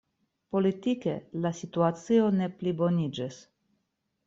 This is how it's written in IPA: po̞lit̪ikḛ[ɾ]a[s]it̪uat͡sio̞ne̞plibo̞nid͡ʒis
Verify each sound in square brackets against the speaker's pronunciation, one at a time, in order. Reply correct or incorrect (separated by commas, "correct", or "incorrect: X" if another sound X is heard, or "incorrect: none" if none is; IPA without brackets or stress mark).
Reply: incorrect: l, correct